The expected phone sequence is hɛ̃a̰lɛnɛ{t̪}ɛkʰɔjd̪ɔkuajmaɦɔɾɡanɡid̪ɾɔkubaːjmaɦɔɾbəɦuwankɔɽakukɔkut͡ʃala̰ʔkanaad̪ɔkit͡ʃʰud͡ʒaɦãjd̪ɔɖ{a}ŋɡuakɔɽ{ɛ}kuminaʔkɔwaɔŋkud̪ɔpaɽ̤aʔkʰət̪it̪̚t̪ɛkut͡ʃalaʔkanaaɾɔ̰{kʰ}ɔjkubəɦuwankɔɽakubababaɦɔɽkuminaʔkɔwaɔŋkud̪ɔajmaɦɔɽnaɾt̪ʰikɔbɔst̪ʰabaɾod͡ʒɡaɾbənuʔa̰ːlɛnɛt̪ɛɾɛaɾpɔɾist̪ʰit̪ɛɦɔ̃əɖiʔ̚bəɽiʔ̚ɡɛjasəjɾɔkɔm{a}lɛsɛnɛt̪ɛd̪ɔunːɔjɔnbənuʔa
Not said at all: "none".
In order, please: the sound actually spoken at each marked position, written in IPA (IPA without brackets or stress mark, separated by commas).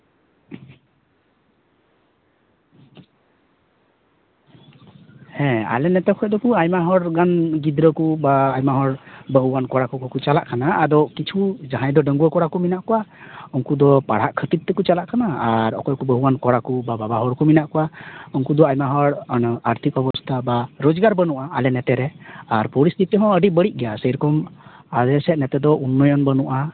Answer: t̪, ə, a, k, a